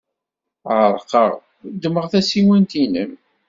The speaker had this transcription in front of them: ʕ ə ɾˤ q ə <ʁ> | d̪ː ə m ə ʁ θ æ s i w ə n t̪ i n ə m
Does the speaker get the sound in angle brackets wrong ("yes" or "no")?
no